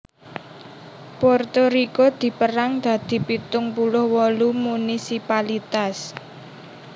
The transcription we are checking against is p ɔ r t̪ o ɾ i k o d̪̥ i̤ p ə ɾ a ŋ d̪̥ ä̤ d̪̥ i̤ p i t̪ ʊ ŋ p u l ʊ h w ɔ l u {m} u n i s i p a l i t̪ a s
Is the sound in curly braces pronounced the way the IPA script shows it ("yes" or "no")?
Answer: yes